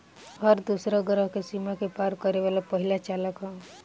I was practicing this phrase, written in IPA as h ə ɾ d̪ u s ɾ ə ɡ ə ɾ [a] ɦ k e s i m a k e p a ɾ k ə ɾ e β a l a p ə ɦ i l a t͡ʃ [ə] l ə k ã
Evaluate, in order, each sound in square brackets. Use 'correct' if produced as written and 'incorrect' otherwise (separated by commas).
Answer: incorrect, incorrect